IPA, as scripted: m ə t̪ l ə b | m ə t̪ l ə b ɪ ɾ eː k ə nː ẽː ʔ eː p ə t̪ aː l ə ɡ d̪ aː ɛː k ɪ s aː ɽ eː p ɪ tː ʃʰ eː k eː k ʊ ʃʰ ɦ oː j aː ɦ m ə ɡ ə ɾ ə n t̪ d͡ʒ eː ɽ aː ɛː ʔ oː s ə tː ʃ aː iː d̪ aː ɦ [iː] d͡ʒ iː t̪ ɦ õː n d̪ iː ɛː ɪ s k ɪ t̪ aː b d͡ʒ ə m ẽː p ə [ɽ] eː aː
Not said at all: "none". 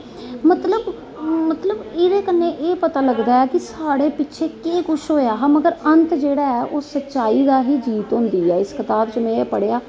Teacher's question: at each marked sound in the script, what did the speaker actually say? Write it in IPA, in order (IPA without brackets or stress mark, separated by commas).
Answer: iː, ɽ